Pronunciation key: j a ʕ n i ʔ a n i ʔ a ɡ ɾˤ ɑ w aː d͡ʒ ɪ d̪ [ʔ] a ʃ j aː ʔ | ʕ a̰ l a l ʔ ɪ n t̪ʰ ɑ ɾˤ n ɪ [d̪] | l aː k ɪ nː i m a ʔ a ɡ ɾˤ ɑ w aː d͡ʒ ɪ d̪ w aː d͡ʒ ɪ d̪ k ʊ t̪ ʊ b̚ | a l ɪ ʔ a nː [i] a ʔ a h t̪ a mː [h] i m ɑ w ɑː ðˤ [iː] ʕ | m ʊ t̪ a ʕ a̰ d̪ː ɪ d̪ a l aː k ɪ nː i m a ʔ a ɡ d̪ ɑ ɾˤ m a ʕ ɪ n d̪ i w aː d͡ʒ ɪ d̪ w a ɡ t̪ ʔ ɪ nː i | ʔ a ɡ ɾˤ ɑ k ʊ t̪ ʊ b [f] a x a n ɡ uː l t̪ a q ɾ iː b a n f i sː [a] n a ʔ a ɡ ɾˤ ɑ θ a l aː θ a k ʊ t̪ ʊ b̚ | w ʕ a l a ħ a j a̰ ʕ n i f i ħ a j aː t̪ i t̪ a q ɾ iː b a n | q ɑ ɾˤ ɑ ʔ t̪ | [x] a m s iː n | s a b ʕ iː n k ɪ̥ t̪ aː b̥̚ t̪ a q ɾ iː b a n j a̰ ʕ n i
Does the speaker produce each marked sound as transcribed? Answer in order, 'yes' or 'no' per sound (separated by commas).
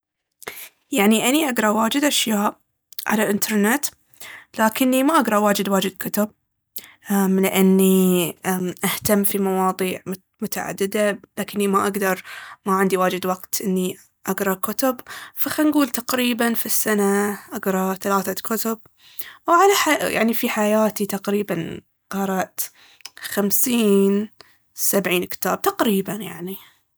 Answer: yes, no, yes, no, yes, yes, yes, yes